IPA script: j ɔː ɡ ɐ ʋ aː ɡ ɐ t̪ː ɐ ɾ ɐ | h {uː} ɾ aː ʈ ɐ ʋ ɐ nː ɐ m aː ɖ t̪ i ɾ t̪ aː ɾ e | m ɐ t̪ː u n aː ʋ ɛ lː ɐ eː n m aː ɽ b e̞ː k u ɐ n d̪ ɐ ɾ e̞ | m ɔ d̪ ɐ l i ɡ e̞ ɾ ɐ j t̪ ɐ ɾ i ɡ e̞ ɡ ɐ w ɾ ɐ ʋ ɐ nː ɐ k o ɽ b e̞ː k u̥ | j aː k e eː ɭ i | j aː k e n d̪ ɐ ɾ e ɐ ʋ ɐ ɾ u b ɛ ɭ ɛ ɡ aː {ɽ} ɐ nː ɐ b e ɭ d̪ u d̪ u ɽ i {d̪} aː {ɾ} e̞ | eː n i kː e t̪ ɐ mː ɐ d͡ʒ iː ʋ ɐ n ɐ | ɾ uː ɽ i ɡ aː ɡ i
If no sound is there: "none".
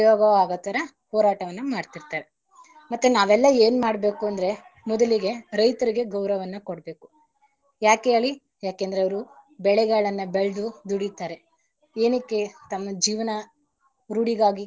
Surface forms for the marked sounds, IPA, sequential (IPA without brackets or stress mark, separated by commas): ɔː, ɭ, t̪, ɾ